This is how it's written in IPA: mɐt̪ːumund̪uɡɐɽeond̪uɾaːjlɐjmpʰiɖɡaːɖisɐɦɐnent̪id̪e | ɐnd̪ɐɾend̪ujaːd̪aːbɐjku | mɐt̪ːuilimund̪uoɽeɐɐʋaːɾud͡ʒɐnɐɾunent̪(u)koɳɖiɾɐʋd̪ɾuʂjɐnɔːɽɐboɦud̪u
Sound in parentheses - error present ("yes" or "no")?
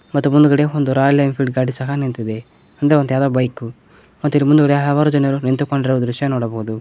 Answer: no